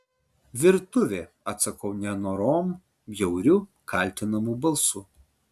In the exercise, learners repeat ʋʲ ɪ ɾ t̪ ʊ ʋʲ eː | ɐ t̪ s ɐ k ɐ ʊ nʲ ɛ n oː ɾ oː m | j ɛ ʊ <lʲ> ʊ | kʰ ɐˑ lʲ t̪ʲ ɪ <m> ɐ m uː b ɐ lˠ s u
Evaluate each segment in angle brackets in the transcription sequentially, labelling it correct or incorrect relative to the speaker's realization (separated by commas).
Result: incorrect, incorrect